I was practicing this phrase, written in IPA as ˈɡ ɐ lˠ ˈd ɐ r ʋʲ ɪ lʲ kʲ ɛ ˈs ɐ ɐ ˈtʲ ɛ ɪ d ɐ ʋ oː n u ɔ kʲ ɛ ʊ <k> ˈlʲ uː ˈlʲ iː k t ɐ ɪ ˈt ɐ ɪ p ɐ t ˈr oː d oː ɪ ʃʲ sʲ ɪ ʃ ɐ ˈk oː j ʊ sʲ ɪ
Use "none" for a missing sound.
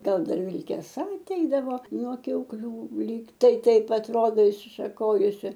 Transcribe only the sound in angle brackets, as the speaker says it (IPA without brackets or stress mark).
k